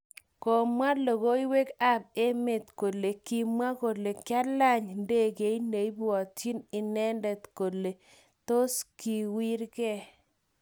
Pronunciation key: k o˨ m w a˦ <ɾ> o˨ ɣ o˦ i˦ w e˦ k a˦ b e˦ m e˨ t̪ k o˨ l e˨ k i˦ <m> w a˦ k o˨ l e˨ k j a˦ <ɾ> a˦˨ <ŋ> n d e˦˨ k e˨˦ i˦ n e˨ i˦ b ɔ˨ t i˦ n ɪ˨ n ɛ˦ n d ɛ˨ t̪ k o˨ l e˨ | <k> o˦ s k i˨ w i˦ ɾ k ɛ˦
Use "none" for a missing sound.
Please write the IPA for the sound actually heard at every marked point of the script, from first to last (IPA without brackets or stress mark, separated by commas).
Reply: l, m, l, ɲ, t